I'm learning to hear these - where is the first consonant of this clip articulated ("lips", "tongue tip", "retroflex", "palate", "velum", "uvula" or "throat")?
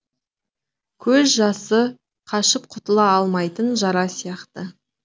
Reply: velum